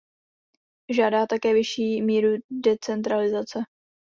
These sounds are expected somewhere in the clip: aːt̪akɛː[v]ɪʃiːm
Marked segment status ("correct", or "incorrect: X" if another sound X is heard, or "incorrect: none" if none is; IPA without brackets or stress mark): correct